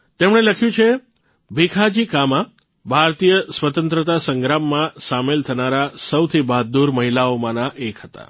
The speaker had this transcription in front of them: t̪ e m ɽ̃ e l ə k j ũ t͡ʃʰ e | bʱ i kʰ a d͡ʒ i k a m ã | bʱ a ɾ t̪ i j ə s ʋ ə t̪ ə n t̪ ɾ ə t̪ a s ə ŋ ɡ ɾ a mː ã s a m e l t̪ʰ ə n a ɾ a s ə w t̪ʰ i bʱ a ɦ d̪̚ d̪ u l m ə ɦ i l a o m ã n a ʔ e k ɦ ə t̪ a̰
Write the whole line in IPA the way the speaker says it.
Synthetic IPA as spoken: t̪ e m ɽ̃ e l ə kʰ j ũ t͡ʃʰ e | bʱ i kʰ a d͡ʒ i k a m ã | bʱ a ɾ t̪ i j ə s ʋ ə t̪ ə n t̪ ɾ ə t̪ a s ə ŋ ɡ ɾ a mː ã s a m e l t̪ʰ ə n a ɾ a s ə w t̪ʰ i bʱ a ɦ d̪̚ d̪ u ɾ m ə ɦ i l a o m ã n a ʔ e k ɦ ə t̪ a̰